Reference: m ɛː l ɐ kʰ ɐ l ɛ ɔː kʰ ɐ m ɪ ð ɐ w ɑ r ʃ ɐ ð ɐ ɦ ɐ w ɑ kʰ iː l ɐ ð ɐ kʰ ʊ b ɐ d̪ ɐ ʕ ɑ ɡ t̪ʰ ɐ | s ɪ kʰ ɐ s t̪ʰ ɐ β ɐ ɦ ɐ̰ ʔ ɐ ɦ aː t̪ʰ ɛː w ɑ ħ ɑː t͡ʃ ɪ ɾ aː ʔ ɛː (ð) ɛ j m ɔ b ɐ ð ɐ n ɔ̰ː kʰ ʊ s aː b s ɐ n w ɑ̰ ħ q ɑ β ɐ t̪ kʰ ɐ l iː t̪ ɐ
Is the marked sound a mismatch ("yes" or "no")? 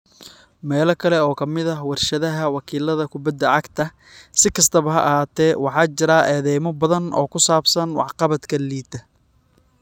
no